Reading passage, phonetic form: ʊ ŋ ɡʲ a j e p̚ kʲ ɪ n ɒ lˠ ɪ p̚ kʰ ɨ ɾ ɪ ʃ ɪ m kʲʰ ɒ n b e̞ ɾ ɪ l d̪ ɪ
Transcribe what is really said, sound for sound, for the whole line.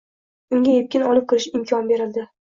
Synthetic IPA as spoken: ʊ ŋ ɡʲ a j e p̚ kʲ ɪ n ɒ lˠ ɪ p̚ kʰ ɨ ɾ ɪ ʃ ɪ m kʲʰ ɒ n b e̞ ɾ ɪ l d̪ ɪ